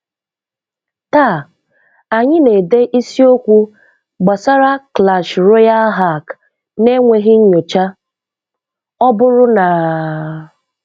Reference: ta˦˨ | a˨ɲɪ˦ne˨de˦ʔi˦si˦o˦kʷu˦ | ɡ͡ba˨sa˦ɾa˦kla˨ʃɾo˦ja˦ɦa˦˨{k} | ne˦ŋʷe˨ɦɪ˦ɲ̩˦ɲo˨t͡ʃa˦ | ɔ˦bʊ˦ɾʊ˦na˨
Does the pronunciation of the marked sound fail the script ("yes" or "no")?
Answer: no